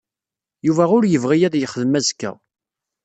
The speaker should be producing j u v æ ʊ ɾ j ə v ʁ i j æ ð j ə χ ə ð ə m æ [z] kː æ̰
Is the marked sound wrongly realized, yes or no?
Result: no